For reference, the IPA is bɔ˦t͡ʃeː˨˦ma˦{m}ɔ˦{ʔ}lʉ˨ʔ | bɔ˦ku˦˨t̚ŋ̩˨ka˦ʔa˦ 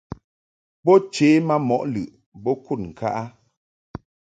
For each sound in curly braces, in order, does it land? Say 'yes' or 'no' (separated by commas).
yes, yes